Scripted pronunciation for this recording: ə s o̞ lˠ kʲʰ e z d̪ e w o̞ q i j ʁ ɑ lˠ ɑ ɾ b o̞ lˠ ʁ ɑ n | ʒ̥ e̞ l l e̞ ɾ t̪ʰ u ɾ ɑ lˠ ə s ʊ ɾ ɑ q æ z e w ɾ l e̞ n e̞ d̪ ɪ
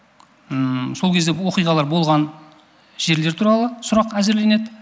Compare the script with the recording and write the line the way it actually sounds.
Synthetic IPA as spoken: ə s o̞ lˠ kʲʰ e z d̪ e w o̞ q i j ʁ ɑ lˠ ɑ ɾ b o̞ lˠ ʁ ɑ n | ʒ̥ e̞ ɾ l e̞ ɾ t̪ʰ u ɾ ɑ lˠ ə s ʊ ɾ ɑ q æ z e ɾ l e̞ n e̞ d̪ ɪ